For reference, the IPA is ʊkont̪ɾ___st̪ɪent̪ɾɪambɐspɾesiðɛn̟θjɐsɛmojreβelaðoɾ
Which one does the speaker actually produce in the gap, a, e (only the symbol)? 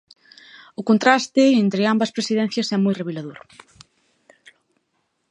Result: a